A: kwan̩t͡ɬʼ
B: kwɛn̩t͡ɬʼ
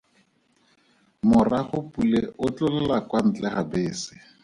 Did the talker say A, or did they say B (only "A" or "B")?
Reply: A